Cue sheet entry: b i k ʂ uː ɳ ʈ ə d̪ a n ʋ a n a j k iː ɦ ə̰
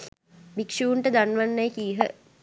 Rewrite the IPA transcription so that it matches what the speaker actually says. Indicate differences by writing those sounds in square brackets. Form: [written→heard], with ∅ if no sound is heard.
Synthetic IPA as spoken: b i k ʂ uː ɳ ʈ ə d̪ a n ʋ a [n→nː] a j k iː ɦ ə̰